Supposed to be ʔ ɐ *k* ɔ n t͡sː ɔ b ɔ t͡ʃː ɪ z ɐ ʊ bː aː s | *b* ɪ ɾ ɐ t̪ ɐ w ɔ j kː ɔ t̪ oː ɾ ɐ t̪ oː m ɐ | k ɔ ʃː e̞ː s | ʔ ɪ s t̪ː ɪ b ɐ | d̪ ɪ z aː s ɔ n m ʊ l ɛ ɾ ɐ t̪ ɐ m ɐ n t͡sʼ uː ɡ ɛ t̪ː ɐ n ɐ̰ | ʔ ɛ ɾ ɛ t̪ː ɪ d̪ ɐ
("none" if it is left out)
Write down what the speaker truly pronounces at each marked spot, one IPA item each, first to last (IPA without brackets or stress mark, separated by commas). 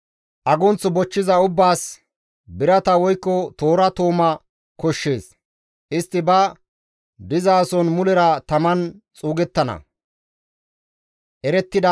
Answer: ɡ, b